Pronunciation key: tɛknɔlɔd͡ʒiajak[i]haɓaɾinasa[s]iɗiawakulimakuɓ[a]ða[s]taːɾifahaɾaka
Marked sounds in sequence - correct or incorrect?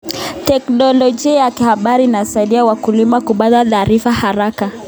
correct, incorrect: none, correct, incorrect: none

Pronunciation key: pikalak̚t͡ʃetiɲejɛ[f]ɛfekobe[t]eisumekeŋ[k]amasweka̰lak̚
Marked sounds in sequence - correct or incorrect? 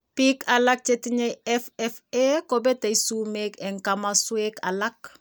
correct, correct, correct

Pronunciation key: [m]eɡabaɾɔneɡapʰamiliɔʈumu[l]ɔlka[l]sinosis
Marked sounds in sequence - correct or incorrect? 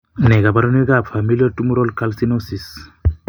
incorrect: n, incorrect: ɾ, correct

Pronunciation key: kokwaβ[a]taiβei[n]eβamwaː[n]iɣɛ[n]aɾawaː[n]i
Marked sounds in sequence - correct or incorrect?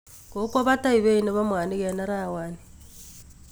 correct, correct, correct, correct, correct

